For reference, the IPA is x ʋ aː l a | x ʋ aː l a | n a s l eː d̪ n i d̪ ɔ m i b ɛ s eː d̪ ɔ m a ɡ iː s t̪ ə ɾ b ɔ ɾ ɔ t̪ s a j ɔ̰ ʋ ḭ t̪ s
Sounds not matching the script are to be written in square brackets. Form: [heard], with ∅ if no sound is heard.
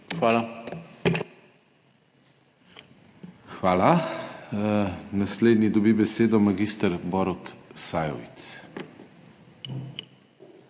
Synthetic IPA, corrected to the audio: x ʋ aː l a | x ʋ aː l a | n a s l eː d̪ n i d̪ ɔ [b] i b ɛ s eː d̪ ɔ m a ɡ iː s t̪ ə ɾ b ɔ ɾ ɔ t̪ s a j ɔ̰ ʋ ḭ t̪ s

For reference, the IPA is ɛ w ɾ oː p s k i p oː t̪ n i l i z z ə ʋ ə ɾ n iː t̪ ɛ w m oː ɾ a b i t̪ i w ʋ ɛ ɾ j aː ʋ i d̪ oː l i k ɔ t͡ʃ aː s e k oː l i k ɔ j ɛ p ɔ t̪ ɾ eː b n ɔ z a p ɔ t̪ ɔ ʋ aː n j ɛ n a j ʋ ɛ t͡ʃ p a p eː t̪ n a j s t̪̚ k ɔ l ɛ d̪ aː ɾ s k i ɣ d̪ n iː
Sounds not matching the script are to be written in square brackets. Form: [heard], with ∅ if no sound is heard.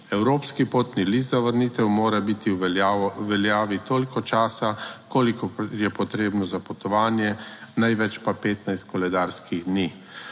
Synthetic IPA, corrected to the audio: ɛ w ɾ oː p s k i p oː t̪ n i l i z z [a] ʋ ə ɾ n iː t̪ ɛ w m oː ɾ a b i t̪ i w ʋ ɛ [l] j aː ʋ i [t̪] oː l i k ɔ t͡ʃ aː s [a] k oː l i k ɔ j ɛ p ɔ t̪ ɾ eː b n ɔ z a p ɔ t̪ ɔ ʋ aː n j ɛ n a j ʋ ɛ t͡ʃ p a p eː t̪ n a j s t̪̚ k ɔ l ɛ d̪ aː ɾ s k i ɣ d̪ n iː

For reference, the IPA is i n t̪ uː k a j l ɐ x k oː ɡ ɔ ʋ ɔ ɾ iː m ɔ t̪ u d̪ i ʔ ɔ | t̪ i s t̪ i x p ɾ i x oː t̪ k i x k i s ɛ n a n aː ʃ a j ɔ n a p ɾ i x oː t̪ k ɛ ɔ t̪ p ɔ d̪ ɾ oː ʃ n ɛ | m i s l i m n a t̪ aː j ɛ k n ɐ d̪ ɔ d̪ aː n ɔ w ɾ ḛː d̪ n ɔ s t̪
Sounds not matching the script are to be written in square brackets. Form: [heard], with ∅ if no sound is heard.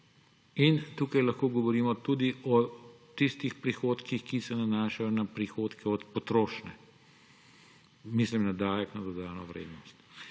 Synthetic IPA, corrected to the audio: i n t̪ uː k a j l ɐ x k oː ɡ ɔ ʋ ɔ ɾ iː m ɔ t̪ u d̪ i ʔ ɔ | t̪ i s t̪ i x p ɾ i x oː t̪ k i x k i s ɛ n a n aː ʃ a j ɔ n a p ɾ i x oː t̪ k ɛ ɔ t̪ p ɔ [t̪] ɾ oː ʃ n ɛ | m i s l i m n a [d̪] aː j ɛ k n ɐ d̪ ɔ d̪ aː n ɔ [ʋ] ɾ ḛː d̪ n ɔ s t̪

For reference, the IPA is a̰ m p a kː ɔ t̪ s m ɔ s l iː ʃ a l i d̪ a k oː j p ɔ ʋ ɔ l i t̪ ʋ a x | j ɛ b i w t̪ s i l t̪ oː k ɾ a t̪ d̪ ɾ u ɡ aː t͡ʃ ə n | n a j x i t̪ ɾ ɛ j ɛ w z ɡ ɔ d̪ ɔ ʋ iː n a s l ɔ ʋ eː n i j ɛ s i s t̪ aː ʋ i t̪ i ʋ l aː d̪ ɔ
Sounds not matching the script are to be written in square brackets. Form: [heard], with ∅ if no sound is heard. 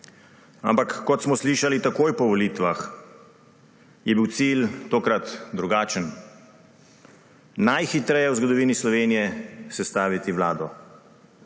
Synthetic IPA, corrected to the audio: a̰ m p a kː ɔ t̪ s m ɔ s l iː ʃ a l i [t̪] a k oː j p ɔ ʋ ɔ l i t̪ ʋ a x | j ɛ b i w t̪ s i l t̪ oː k ɾ a t̪ d̪ ɾ u ɡ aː t͡ʃ ə n | n a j x i t̪ ɾ ɛ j ɛ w z ɡ ɔ d̪ ɔ ʋ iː n [i] s l ɔ ʋ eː n i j ɛ s [ɛ] s t̪ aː ʋ i t̪ i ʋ l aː d̪ ɔ

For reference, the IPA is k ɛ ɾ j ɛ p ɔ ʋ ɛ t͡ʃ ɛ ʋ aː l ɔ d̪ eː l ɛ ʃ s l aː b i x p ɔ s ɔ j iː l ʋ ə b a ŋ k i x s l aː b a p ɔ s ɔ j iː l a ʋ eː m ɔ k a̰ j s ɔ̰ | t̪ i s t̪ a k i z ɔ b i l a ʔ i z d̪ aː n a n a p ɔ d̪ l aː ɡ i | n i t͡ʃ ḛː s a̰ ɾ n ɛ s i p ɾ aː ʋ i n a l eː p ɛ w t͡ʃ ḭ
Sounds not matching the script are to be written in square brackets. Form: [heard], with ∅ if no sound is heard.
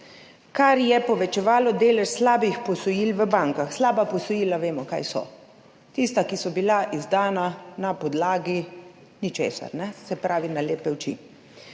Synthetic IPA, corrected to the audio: k [a] ɾ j ɛ p ɔ ʋ ɛ t͡ʃ ɛ ʋ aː l ɔ d̪ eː l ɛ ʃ s l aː b i x p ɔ s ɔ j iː l ʋ ə b a ŋ k [a] x s l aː b a p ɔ s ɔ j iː l a ʋ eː m ɔ k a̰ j s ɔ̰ | t̪ i s t̪ a k i [s] ɔ b i l a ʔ i z d̪ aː n a n a p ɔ d̪ l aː ɡ i | n i t͡ʃ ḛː s a̰ ɾ n ɛ s [ɛ] p ɾ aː ʋ i n a l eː p ɛ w t͡ʃ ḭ

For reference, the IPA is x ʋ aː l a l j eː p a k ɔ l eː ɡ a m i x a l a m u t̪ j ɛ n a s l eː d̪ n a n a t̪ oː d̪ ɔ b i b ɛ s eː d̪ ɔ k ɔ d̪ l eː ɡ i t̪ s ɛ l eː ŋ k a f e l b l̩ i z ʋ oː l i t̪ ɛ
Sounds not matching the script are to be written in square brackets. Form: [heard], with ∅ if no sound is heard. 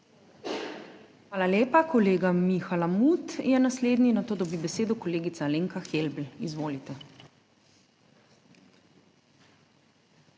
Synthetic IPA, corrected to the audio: x ʋ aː l a l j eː p a k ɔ l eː ɡ a m i x a l a m u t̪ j ɛ n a s l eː d̪ n [i] n a t̪ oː d̪ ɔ b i b ɛ s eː d̪ ɔ k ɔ [∅] l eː ɡ i t̪ s [a] l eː ŋ k a [x] e l b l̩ i z ʋ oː l i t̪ ɛ

